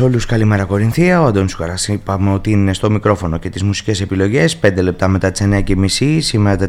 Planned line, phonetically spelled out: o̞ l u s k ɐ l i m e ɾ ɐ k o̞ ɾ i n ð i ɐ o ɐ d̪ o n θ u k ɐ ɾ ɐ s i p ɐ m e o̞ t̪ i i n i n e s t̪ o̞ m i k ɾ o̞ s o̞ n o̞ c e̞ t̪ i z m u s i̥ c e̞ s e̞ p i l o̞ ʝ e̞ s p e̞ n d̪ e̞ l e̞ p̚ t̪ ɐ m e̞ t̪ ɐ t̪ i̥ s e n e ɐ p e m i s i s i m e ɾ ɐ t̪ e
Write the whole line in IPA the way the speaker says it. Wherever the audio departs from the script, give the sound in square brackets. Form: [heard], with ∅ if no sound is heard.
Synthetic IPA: o̞ l u s k ɐ l i m e ɾ ɐ k o̞ ɾ i n [θ] i ɐ o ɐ d̪ o n [s] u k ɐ ɾ ɐ s i p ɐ m e o̞ t̪ i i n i n e s t̪ o̞ m i k ɾ o̞ [f] o̞ n o̞ c e̞ t̪ i z m u s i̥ c e̞ s e̞ p i l o̞ ʝ e̞ s p e̞ n d̪ e̞ l e̞ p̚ t̪ ɐ m e̞ t̪ ɐ t̪ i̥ s e n e ɐ [c] e m i s i s i m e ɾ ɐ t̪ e